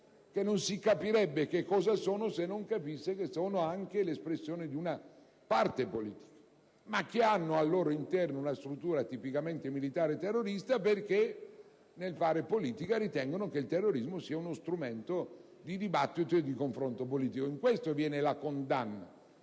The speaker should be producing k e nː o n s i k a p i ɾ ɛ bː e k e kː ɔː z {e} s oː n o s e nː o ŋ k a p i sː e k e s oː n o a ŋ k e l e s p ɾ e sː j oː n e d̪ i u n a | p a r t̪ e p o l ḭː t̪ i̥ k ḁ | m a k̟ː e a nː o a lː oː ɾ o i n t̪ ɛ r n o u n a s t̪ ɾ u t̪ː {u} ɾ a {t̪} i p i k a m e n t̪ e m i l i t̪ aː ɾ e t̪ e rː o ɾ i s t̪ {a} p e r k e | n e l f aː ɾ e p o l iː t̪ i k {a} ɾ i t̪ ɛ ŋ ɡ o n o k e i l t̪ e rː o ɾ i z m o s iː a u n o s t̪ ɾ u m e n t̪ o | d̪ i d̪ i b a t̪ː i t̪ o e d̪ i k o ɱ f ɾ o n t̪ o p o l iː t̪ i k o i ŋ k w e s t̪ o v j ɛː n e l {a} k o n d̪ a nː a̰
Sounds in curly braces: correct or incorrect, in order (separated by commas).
incorrect, incorrect, correct, correct, correct, correct